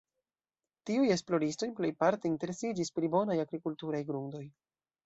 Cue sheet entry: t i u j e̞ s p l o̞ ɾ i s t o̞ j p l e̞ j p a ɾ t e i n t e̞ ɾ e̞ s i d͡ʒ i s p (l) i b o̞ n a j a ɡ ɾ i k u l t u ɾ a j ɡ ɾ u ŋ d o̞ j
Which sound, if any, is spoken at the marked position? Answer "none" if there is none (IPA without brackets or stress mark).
ɾ